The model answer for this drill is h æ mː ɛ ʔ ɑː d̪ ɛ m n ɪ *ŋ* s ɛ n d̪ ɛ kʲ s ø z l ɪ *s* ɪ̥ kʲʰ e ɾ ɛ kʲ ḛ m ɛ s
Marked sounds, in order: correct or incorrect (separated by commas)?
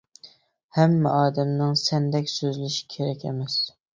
correct, incorrect